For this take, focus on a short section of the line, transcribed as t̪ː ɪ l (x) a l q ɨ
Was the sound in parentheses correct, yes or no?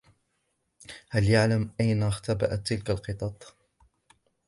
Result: no